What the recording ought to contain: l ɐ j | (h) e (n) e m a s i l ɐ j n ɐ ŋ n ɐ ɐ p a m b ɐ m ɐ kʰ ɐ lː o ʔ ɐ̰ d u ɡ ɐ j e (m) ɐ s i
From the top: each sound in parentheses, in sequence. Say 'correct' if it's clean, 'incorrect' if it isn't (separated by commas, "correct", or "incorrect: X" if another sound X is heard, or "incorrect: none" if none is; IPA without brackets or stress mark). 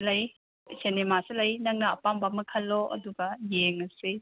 incorrect: s, correct, incorrect: ŋ